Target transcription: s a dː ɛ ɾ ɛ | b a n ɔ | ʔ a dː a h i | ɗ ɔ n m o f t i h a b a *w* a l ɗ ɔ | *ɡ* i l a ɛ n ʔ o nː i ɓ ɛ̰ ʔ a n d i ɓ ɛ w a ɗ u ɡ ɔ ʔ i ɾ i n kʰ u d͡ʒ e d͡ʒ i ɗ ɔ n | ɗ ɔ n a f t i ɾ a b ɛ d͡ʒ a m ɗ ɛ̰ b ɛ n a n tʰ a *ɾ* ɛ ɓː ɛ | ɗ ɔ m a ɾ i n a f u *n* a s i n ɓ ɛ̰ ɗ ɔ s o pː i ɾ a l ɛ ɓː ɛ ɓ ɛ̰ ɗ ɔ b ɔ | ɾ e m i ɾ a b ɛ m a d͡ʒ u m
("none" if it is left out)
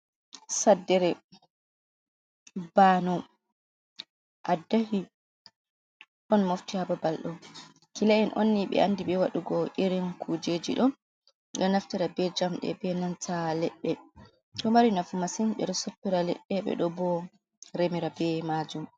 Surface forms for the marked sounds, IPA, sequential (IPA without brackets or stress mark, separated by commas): b, k, l, m